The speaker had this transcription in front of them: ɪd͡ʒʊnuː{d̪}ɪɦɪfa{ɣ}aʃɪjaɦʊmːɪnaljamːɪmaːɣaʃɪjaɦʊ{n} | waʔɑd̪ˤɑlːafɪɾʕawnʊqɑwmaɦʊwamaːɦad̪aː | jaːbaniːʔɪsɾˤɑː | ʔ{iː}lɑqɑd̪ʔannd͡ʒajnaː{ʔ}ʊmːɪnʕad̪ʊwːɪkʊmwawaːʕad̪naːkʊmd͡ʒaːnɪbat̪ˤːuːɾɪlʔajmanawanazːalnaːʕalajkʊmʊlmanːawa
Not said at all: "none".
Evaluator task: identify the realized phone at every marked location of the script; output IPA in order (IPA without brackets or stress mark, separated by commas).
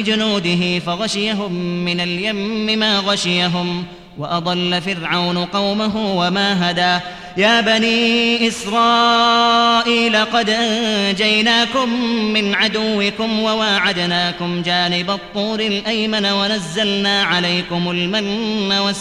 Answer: d̪, ɣ, m, iː, k